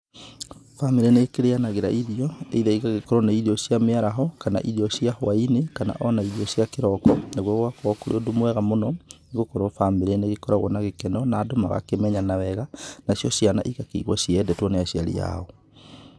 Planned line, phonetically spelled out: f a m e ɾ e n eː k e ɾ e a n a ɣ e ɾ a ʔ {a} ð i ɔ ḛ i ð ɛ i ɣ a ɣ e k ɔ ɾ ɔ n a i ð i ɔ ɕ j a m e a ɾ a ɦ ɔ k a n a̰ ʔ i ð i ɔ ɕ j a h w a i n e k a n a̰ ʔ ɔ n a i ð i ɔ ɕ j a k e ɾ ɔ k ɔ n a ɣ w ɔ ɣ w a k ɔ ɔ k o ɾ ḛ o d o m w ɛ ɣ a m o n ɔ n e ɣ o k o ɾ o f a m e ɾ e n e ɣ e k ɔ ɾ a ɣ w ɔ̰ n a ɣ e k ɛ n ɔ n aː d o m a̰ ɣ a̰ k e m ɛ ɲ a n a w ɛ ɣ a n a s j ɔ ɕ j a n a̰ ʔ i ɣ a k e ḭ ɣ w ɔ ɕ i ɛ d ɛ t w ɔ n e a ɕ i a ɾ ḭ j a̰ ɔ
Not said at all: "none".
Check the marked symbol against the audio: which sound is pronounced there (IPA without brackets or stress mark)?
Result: i